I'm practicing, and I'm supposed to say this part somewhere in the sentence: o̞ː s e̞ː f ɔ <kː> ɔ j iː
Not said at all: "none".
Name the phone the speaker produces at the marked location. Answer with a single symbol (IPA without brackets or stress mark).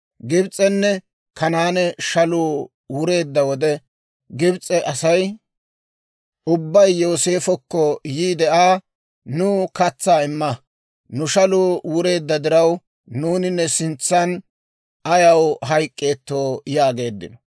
kː